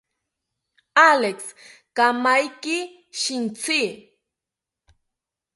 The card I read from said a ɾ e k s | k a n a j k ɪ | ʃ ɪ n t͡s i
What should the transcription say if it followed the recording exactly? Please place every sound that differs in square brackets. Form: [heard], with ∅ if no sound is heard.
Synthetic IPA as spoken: a [l] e k s | k a [m] a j k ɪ | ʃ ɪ n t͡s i